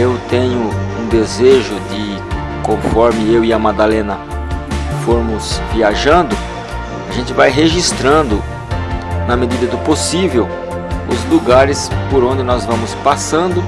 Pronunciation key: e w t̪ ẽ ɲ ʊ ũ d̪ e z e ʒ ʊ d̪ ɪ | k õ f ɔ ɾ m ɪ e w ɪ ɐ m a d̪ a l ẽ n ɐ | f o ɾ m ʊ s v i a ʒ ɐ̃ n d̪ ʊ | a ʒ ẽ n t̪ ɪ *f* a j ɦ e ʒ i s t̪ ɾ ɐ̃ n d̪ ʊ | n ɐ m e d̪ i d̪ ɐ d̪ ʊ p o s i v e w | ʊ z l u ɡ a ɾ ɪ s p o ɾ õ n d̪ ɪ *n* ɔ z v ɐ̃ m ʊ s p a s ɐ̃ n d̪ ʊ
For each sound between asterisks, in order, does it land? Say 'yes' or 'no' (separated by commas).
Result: no, yes